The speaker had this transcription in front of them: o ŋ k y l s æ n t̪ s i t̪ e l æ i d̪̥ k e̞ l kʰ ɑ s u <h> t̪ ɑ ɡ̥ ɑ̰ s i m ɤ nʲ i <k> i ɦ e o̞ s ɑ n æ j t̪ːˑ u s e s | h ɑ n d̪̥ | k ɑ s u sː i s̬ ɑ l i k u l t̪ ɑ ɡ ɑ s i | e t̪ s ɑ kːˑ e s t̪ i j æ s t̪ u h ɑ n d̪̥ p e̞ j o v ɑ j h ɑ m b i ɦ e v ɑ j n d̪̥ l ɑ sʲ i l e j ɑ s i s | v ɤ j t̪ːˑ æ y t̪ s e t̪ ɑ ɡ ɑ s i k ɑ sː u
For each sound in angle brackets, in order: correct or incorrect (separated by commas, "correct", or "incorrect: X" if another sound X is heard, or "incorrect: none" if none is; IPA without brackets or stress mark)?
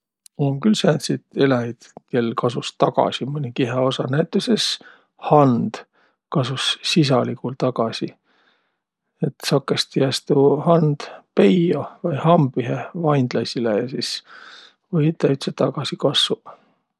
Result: incorrect: s, correct